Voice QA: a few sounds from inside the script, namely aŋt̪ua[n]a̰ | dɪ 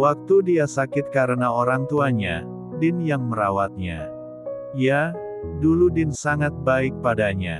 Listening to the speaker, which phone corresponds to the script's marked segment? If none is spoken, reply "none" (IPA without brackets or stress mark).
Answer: ɲ